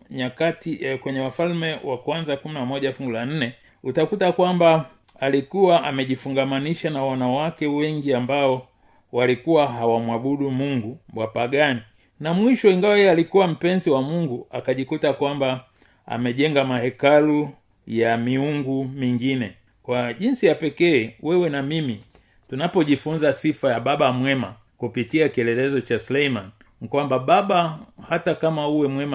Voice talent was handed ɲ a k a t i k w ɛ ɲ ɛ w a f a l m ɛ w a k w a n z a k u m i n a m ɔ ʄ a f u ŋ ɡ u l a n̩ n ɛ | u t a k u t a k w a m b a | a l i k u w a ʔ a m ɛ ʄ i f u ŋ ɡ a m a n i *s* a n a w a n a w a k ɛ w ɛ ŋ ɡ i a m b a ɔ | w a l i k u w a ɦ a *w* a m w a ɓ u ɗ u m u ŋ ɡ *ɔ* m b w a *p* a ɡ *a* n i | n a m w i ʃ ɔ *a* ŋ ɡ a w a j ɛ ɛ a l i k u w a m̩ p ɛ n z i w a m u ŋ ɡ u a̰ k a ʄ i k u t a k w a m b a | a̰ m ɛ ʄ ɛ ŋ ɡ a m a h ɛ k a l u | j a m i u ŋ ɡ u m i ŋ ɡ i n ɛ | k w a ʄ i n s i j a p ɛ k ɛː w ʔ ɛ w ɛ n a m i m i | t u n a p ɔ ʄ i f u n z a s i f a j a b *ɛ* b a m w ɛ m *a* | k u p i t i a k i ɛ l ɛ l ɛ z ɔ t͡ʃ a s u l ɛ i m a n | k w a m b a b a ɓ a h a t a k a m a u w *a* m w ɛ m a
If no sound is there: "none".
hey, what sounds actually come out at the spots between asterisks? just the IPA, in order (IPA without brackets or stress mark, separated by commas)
ʃ, w, u, p, a, i, a, a, ɛ